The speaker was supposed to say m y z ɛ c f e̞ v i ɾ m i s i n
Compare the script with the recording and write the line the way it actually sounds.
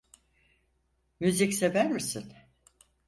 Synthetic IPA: m y z i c s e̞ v æ ɾ m i s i n